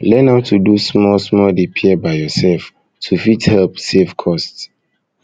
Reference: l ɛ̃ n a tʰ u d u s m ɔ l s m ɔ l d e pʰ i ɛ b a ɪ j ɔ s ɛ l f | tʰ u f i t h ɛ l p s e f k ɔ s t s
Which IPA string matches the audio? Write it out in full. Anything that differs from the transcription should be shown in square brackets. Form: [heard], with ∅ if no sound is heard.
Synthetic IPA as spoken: l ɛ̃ n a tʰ u d u s m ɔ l s m ɔ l d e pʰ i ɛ b a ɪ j ɔ s ɛ l f | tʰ u f i t h ɛ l p s e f [kʰ] ɔ s t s